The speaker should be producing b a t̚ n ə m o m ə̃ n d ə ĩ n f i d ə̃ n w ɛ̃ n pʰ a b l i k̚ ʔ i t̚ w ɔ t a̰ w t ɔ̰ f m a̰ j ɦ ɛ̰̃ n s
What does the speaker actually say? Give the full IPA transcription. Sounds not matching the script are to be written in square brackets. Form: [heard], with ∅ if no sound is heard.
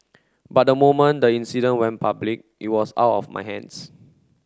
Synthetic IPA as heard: b a t̚ [d] ə m o m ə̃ n d ə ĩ n [s] i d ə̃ n w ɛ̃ n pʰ a b l i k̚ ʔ i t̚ w ɔ [s] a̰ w t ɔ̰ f m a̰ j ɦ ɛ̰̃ n s

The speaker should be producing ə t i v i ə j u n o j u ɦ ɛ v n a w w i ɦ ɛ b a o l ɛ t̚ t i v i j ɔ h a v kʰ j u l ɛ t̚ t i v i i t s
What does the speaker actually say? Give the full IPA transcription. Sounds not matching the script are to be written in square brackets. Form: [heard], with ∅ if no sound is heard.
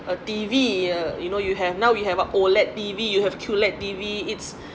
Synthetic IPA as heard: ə t i v i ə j u n o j u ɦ ɛ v n a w w i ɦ ɛ [v] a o l ɛ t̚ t i v i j [u] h [ɛ] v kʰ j u l ɛ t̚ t i v i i t s

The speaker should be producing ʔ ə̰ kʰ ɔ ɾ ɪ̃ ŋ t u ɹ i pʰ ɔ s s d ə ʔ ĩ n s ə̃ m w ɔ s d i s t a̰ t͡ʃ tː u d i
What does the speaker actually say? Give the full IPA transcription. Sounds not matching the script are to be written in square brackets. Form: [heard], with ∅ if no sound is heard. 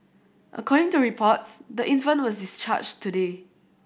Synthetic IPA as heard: ʔ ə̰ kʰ ɔ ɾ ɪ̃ ŋ t u ɹ i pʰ ɔ [t] s d ə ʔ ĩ n [f] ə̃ [n] w ɔ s d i s [t͡ʃ] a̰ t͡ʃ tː u d [e]

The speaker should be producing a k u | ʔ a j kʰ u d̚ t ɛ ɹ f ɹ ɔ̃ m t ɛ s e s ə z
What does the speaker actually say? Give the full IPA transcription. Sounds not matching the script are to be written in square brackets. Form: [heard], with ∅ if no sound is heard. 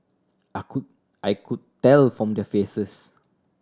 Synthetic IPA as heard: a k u | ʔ a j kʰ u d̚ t ɛ [l] f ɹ ɔ̃ m [d] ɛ [f] e s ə [s]

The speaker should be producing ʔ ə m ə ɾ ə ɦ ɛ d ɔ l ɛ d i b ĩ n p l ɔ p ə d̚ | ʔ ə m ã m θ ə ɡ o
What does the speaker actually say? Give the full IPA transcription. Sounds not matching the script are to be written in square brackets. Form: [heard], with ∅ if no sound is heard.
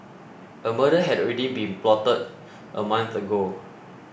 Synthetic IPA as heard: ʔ ə m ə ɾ ə ɦ ɛ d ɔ [ɹ] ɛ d i b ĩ n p l ɔ [t] ə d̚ | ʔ ə m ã [n] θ ə ɡ o

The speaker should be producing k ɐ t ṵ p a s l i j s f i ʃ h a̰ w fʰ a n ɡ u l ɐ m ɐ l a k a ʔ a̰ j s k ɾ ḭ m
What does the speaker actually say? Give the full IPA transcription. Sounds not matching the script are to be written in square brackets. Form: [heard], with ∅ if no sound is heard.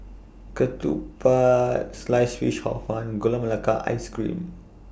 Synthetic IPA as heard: k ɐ t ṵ p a s l [a] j s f i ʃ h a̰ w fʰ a n ɡ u l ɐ m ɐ l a k a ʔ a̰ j s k ɾ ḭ m

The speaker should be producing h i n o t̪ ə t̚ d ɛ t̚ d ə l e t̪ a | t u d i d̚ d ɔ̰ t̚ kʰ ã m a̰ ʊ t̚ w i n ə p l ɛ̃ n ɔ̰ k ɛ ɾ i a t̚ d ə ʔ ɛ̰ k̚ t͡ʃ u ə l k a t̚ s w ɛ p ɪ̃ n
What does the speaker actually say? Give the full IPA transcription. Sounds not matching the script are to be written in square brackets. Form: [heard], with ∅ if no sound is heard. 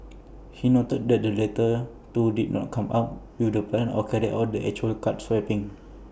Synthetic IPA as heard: h i n o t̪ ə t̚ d ɛ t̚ d ə l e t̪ [ə] | t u d i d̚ [n] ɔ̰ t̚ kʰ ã m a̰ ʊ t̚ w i [d] ə p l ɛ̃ n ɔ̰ k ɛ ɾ i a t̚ d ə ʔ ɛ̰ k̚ t͡ʃ u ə l k a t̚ s w ɛ p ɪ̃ [ŋ]

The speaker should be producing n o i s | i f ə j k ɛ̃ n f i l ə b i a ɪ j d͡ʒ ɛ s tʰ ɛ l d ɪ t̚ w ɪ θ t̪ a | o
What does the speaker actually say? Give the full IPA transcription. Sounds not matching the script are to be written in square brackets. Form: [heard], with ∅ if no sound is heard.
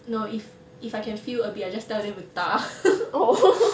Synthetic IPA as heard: n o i [f] | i f [a] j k ɛ̃ n f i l ə b i a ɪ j d͡ʒ [a] s [t] ɛ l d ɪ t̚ w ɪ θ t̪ a | o

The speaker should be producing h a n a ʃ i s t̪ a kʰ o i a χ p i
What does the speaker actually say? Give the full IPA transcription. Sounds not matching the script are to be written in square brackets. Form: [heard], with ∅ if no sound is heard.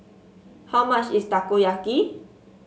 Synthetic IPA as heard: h a [m] a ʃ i s t̪ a [k] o [j] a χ [k] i

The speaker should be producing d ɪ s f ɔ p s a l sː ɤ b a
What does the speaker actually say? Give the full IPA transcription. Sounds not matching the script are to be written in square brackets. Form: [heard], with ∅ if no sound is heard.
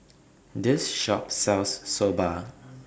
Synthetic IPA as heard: d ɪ s [ʃ] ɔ p s [ɛ] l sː [o] b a

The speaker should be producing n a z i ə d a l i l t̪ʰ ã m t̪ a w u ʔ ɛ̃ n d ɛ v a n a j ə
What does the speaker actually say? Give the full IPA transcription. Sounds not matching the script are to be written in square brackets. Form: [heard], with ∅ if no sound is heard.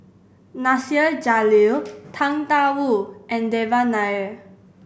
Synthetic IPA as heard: n a [s] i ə [d͡ʒ] a l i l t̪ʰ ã [ŋ] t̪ a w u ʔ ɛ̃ n d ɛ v a n a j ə

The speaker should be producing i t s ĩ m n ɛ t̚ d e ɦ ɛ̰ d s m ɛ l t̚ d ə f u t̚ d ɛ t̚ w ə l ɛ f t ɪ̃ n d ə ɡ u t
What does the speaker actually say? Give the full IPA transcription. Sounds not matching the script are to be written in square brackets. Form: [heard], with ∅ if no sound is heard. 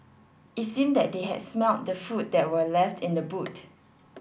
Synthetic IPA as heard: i t s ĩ m [d] ɛ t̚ d e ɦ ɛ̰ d s m ɛ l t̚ d ə f u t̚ d ɛ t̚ w ə l ɛ f t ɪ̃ n d ə [b] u t

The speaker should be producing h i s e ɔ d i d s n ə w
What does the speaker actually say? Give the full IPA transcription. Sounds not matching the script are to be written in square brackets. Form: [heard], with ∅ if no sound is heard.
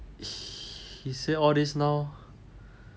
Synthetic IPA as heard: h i s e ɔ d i [∅] s n [a] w

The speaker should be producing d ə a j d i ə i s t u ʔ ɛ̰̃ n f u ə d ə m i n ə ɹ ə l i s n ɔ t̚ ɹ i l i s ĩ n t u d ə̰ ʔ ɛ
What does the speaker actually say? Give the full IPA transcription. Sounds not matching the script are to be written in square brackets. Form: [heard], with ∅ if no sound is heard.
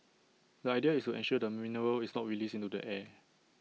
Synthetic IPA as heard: d ə a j d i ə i s t u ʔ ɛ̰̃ n [ʃ] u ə d ə m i n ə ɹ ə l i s n ɔ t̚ ɹ i l i s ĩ n t u d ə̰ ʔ ɛ

